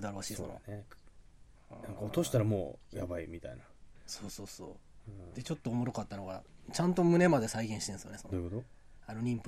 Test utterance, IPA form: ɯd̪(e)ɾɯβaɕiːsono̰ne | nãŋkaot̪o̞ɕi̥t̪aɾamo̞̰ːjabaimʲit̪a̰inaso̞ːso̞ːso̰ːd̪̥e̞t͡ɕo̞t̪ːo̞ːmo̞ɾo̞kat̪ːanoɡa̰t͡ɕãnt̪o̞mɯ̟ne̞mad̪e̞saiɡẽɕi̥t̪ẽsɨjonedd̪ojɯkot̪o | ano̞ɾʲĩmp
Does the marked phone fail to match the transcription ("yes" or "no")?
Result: yes